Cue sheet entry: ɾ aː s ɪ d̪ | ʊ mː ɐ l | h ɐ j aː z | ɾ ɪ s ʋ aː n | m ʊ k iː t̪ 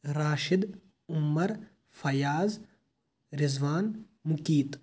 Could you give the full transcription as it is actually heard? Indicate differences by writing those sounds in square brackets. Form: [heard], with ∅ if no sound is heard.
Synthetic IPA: ɾ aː [ʃ] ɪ d̪ | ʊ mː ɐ [ɾ] | [f] ɐ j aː z | ɾ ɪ [z] ʋ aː n | m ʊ k iː t̪